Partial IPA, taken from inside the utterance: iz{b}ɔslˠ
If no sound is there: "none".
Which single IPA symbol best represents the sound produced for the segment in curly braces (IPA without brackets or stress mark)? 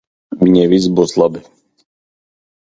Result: b